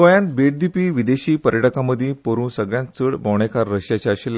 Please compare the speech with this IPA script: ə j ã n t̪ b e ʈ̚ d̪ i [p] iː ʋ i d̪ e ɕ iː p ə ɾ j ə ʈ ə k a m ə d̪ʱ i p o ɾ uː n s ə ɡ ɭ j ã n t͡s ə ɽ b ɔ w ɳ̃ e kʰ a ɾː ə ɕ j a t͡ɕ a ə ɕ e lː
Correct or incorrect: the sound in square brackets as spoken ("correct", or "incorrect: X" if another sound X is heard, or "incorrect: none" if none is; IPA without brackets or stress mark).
correct